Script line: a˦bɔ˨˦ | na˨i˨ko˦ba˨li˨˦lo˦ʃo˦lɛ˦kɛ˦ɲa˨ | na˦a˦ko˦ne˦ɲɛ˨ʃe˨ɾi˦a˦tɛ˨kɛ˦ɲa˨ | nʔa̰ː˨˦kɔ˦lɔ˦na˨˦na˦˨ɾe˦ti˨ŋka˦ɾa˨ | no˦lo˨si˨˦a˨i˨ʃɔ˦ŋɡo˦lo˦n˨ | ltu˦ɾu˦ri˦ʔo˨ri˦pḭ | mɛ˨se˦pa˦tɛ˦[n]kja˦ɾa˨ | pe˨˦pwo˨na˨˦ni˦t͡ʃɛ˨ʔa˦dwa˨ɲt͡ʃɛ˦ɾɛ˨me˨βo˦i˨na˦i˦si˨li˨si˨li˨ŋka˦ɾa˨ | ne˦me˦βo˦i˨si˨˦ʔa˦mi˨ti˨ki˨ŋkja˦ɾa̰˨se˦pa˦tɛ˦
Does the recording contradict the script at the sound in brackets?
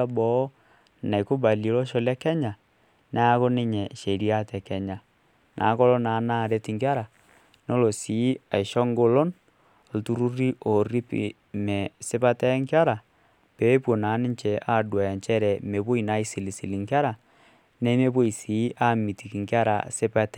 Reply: yes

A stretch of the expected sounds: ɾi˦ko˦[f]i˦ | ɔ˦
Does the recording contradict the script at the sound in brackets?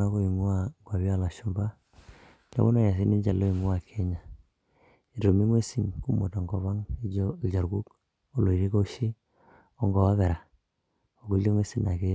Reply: yes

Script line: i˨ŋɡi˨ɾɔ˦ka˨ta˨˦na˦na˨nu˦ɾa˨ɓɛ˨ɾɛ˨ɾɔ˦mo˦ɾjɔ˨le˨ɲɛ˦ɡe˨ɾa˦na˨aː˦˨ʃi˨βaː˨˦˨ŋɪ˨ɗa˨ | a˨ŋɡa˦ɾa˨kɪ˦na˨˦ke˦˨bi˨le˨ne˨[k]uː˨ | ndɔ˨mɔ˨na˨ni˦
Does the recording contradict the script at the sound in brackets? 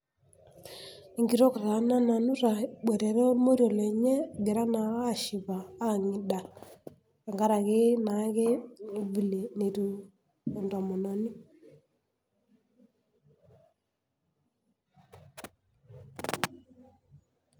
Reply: yes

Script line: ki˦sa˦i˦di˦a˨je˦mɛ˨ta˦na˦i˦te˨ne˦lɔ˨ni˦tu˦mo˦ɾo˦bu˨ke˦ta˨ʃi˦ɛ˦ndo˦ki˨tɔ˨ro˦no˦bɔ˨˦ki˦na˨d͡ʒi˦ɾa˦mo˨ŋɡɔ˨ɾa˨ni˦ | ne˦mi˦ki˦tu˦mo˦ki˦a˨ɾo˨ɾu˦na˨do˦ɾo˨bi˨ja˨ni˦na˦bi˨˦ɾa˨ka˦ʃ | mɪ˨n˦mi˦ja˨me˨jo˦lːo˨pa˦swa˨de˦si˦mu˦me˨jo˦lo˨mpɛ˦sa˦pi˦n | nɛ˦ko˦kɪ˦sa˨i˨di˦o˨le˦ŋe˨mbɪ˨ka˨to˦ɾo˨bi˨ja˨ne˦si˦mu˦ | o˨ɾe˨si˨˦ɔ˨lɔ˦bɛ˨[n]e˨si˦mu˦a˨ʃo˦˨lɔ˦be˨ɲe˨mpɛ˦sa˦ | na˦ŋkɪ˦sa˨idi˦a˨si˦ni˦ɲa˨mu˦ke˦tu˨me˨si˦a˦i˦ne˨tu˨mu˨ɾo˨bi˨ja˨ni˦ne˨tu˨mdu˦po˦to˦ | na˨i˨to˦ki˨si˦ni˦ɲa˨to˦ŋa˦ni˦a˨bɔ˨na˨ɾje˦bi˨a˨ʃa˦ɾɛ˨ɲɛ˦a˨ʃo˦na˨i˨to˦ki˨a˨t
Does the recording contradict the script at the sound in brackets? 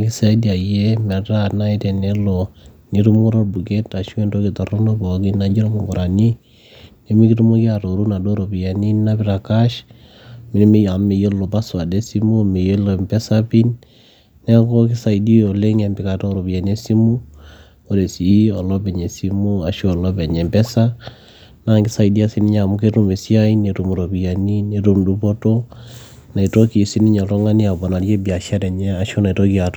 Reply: yes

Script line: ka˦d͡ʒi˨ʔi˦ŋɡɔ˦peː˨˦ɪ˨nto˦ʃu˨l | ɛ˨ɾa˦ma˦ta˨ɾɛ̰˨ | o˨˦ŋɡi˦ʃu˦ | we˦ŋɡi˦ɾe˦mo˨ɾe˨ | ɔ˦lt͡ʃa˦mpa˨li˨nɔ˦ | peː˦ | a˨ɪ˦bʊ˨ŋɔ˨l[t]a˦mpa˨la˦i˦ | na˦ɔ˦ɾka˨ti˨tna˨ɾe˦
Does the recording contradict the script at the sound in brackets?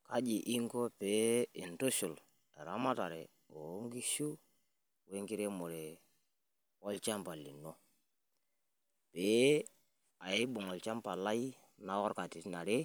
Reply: yes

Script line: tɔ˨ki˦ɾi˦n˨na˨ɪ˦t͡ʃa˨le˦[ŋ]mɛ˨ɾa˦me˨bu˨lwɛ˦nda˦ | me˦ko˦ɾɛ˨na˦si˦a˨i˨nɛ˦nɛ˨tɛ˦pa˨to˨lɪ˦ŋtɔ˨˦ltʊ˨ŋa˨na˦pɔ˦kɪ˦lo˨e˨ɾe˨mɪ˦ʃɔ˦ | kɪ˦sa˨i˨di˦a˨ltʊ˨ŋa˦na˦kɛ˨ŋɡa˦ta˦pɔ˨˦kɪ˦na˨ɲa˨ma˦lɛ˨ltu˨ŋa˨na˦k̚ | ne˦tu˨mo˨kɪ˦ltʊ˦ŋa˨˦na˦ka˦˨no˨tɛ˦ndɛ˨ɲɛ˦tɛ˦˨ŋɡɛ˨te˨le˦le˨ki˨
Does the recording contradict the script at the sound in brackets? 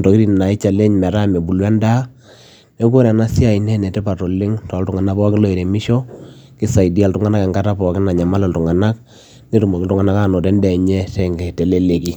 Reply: yes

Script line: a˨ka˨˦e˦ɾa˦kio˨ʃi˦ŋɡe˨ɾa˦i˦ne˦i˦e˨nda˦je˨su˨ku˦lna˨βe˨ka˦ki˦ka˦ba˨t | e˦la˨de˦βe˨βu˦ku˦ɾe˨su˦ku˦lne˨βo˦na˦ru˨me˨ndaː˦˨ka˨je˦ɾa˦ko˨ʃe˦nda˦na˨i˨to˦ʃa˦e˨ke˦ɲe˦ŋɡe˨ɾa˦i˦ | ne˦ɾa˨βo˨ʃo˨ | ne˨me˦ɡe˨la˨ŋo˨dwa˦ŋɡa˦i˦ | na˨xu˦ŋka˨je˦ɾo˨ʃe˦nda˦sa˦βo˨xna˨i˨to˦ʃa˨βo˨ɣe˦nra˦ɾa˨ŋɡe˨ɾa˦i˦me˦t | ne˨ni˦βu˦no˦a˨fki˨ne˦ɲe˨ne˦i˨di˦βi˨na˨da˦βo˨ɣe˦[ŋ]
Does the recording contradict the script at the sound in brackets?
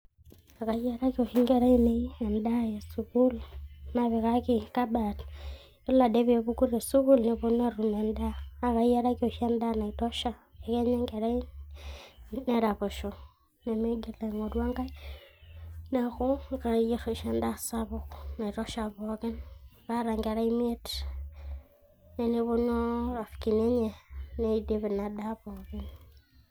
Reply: yes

